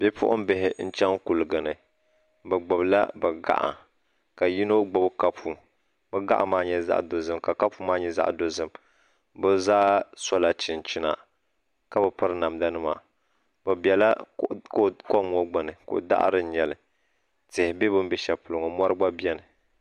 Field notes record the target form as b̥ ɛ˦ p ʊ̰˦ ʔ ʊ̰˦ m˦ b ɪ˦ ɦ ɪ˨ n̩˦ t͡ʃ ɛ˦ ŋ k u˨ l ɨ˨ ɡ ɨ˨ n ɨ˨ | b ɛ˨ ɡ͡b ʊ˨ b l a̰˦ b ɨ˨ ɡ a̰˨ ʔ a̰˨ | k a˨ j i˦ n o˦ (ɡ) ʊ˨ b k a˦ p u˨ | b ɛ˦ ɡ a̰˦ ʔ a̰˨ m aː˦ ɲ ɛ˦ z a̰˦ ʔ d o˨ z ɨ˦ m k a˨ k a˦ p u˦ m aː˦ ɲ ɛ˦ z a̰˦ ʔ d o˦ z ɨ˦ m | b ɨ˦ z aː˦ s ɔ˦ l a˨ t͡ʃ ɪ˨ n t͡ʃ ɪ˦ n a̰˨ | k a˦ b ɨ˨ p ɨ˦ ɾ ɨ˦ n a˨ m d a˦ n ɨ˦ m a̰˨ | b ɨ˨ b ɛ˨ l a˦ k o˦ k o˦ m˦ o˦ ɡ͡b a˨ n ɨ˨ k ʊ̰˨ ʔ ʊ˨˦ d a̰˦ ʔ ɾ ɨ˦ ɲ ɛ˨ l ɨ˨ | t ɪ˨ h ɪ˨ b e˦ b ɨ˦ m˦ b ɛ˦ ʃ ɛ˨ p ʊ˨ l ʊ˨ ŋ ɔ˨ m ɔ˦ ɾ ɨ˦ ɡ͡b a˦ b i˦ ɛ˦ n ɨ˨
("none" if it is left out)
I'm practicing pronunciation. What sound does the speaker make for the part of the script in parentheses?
ɡ͡b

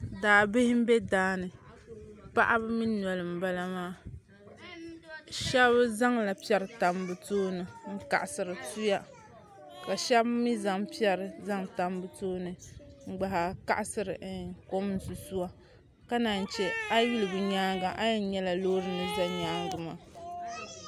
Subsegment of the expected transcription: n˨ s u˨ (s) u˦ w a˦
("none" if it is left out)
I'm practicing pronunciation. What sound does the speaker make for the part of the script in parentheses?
s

